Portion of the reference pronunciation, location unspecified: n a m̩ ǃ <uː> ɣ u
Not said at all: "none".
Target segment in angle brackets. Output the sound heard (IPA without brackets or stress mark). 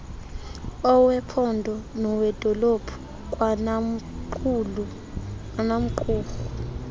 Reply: uː